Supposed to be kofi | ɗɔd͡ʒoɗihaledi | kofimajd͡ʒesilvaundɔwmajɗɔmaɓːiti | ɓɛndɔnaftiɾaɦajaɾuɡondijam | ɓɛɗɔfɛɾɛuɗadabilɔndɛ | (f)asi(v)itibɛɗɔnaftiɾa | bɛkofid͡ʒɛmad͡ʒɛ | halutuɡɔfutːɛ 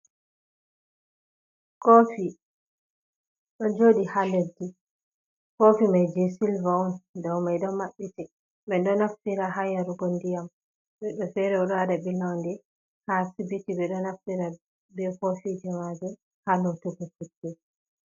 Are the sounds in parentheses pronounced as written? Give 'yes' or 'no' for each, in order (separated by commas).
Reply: no, no